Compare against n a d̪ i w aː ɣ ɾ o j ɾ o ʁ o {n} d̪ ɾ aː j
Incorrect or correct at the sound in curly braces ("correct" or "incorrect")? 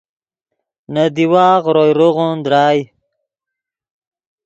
correct